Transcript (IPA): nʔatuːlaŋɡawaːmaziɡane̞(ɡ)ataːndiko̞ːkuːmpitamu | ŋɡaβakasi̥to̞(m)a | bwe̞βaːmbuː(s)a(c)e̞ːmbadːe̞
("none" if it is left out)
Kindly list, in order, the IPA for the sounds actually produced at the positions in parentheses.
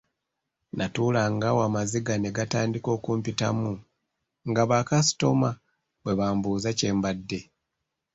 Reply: ɡ, m, z, c

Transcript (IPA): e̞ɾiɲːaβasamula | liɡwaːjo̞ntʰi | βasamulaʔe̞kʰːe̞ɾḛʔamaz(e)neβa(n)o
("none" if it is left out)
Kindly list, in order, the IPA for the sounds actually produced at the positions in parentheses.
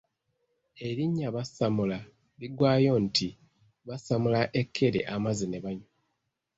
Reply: i, ɲ

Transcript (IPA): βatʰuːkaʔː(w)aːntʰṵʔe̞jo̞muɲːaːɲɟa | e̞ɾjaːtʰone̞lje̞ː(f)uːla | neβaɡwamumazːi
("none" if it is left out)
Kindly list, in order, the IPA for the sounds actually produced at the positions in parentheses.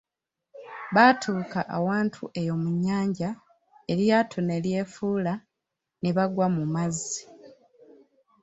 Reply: w, f

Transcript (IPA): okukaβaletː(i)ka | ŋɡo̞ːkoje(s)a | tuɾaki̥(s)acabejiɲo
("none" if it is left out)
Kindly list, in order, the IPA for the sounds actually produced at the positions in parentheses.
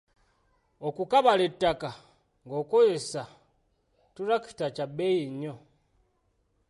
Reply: a, s, t

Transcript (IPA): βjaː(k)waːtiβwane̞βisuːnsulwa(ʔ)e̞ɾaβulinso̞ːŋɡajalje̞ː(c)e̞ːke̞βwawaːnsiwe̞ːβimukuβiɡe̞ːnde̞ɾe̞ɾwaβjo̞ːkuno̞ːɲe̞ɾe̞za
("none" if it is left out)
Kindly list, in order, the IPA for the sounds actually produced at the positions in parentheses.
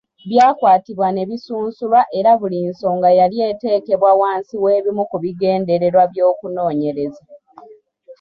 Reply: k, ʔ, t

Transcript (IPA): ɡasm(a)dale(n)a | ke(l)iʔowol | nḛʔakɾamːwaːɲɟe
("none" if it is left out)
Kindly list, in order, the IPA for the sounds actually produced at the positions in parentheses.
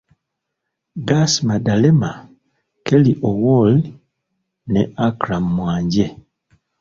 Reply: a, m, l

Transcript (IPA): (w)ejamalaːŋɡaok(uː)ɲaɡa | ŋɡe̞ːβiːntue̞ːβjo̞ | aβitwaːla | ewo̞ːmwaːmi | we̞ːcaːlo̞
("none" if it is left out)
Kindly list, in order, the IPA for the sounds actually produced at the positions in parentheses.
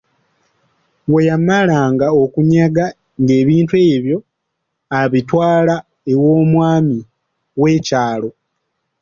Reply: w, u

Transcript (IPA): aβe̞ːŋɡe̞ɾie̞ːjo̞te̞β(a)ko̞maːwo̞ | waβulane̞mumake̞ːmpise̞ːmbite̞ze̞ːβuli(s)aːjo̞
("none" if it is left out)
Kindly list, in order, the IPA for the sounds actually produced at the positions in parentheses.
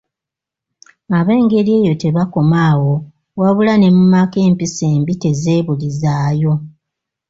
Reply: a, z

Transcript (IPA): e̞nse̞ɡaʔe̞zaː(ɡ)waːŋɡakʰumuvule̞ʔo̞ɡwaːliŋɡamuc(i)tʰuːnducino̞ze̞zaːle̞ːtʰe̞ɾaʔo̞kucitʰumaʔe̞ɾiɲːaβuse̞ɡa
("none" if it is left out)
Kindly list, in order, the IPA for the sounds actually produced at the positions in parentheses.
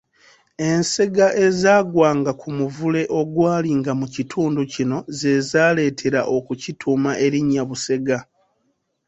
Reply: ɡ, i

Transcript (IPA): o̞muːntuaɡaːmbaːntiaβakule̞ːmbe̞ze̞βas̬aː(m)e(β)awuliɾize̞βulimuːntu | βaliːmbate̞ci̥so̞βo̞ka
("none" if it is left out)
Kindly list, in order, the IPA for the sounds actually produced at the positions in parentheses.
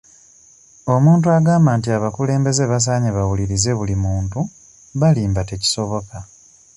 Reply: ɲ, β

